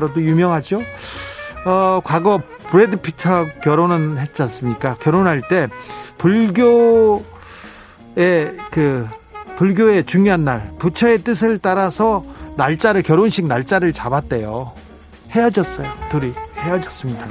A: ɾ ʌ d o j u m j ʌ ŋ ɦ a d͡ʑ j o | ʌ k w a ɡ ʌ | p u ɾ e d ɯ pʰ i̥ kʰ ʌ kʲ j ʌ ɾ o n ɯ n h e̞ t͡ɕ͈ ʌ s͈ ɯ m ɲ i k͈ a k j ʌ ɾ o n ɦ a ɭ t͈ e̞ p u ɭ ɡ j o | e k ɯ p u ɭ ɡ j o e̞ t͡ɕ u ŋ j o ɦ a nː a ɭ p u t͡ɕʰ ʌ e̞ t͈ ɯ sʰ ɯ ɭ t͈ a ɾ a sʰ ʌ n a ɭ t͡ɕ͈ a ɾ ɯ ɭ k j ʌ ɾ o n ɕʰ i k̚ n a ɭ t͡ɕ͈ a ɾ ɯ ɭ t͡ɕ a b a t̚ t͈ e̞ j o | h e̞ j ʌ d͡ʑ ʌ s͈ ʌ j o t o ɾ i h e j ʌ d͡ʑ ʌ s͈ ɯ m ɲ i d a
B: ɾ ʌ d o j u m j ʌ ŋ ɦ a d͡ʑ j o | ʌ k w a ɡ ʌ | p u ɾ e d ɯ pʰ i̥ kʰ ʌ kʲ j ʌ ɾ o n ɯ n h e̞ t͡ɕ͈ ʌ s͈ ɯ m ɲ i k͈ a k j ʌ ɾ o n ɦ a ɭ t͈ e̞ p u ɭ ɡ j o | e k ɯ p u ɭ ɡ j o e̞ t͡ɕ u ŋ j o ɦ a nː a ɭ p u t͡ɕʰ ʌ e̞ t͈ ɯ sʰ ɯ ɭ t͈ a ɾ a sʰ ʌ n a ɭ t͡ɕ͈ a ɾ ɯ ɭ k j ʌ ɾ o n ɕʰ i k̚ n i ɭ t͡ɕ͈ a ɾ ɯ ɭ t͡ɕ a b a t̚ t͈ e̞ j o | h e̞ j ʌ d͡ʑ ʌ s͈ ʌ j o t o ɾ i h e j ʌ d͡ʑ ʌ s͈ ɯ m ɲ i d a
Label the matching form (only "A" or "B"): A